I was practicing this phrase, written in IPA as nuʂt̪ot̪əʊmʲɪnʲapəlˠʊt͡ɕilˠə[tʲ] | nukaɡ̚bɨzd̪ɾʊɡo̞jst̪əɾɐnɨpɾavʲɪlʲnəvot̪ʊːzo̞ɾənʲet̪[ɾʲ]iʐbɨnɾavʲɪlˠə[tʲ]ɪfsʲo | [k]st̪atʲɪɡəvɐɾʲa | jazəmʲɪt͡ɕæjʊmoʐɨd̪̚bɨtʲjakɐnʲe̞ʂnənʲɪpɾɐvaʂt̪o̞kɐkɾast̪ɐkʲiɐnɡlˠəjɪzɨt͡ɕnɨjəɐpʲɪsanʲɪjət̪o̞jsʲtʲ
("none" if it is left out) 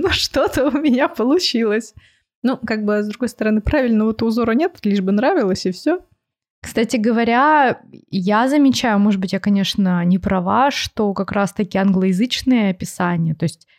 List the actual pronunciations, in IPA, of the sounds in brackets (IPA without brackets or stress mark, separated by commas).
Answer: sʲ, lʲ, sʲ, k